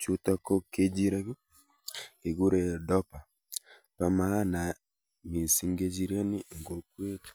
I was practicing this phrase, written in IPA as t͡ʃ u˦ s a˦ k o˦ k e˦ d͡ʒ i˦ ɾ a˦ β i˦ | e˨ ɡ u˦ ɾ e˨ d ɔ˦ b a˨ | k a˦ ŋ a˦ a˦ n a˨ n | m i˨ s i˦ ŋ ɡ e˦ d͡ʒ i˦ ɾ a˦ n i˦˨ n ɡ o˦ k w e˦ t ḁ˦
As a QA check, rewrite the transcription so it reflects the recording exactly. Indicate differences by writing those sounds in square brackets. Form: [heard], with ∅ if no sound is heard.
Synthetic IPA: t͡ʃ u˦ [t] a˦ k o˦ k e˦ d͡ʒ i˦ ɾ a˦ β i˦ | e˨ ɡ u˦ ɾ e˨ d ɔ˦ [p] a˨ | [p] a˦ [m] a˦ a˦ n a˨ [∅] | m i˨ s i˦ ŋ ɡ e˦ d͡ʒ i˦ ɾ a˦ n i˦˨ [ŋ] ɡ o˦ k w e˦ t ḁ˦